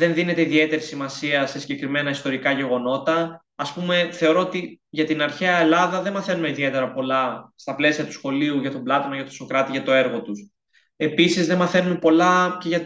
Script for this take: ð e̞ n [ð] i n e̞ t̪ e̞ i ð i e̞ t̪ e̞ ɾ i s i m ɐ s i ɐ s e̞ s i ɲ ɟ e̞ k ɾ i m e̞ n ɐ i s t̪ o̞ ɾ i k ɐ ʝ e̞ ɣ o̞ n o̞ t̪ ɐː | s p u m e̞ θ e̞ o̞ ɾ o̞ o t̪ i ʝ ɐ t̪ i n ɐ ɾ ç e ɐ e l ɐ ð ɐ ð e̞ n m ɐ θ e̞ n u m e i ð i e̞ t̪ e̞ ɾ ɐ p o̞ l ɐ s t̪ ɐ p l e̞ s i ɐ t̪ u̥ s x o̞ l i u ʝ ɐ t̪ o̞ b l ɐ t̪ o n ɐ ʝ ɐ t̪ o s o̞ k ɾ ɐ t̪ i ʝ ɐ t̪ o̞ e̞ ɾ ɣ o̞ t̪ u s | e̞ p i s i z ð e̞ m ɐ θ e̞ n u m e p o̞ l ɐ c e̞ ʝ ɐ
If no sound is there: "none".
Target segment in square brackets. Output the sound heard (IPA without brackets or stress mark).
ð